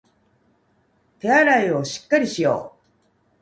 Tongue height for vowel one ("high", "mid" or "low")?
mid